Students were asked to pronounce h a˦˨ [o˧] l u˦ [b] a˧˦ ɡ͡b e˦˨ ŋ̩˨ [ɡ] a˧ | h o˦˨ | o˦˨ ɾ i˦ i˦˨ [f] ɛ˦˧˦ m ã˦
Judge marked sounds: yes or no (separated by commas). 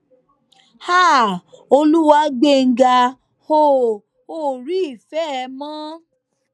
yes, no, yes, yes